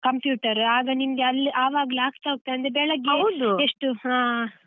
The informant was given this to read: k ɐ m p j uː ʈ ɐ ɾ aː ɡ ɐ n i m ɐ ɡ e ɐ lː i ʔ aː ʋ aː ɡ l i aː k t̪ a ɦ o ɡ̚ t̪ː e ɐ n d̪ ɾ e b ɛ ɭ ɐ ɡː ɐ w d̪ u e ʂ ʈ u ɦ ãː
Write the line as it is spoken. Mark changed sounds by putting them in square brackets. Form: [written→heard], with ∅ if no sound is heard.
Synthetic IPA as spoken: k ɐ m p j uː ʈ ɐ ɾ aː ɡ ɐ n i m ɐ ɡ e ɐ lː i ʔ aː ʋ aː ɡ l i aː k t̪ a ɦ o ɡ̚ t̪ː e ɐ n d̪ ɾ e b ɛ ɭ ɐ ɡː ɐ w d̪ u e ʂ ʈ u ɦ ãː